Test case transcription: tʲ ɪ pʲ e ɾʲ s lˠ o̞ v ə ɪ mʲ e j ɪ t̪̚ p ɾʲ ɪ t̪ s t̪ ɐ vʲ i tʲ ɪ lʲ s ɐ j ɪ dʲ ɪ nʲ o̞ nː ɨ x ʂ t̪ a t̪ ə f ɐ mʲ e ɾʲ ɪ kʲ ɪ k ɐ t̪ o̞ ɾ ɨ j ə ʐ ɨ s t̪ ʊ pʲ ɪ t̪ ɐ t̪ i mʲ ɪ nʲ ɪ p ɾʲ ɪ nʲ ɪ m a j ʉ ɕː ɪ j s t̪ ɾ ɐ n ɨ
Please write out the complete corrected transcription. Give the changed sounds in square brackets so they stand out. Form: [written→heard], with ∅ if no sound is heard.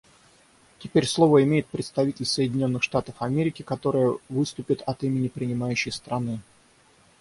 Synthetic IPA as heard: tʲ ɪ pʲ e ɾʲ s lˠ o̞ v ə ɪ mʲ e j ɪ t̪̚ p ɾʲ ɪ t̪ s t̪ ɐ vʲ i tʲ ɪ lʲ s [ɐ→ə] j ɪ dʲ ɪ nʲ o̞ nː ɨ x ʂ t̪ a t̪ ə f ɐ mʲ e ɾʲ ɪ kʲ ɪ k ɐ t̪ o̞ ɾ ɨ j ə [ʐ→v] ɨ s t̪ ʊ pʲ ɪ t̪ ɐ t̪ i mʲ ɪ nʲ ɪ p ɾʲ ɪ nʲ ɪ m a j ʉ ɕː ɪ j s t̪ ɾ ɐ n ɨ